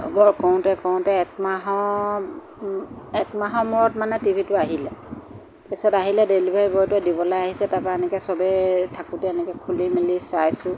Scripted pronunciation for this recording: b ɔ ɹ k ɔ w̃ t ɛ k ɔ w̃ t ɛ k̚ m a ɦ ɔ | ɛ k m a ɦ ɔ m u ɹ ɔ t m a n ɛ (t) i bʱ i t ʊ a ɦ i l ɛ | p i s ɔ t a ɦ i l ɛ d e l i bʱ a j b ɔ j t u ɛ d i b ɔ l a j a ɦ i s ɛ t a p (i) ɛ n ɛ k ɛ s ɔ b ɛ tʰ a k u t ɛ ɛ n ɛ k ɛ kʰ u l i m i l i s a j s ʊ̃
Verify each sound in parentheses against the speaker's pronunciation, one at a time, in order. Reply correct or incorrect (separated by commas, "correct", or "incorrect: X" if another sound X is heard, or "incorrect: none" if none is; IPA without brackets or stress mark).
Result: correct, incorrect: a